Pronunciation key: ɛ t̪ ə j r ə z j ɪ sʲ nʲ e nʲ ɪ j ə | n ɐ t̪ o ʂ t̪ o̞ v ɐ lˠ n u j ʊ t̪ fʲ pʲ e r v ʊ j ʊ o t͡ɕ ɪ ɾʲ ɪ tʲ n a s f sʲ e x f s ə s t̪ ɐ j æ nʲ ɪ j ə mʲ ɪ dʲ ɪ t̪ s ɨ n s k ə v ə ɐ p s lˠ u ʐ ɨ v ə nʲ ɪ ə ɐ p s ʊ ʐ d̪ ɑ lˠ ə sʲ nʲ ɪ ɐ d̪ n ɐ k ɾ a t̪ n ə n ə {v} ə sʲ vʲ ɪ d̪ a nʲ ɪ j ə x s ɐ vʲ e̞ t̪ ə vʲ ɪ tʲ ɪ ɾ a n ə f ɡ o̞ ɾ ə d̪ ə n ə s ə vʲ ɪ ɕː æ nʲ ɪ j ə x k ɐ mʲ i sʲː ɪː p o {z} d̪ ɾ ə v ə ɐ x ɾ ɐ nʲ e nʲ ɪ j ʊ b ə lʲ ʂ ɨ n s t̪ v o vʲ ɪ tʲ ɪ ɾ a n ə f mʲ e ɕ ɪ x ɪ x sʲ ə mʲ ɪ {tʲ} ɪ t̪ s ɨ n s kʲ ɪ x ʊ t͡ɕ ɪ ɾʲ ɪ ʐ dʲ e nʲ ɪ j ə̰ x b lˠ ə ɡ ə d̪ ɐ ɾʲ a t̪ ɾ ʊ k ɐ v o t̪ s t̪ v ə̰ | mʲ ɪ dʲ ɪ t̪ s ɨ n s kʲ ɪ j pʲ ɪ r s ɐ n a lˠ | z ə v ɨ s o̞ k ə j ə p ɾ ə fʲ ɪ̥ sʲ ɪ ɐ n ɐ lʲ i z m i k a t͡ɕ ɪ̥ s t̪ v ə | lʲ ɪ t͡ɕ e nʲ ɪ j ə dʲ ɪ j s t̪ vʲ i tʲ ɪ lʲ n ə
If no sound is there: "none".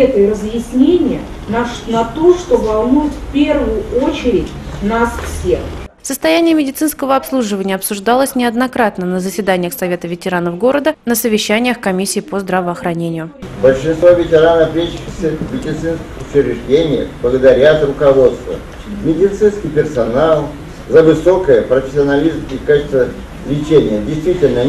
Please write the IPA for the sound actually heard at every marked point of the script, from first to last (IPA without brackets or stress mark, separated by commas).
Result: z, z, dʲ